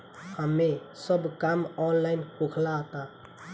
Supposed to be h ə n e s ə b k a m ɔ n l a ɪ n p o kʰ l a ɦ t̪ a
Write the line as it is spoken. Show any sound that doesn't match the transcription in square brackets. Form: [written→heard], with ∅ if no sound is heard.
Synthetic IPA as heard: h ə [n→m] e s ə b k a m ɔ n l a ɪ n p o kʰ l a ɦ t̪ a